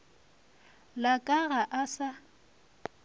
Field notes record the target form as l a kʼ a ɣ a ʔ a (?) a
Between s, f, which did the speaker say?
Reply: s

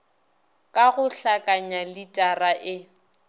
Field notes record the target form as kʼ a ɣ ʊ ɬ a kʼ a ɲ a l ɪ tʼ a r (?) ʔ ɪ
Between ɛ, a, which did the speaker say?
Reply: a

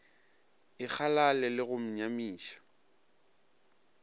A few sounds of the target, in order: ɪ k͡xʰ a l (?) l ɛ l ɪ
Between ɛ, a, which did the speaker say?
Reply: a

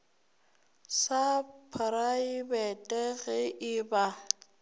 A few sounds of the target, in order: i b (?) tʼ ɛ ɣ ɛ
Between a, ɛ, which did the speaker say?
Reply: ɛ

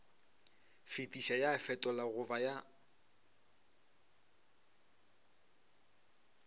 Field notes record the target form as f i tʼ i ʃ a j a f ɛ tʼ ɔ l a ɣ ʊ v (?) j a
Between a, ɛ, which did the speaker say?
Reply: a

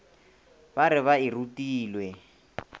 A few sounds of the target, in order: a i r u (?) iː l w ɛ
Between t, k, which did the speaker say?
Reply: t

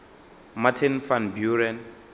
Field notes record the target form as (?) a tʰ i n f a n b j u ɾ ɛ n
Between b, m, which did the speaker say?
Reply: m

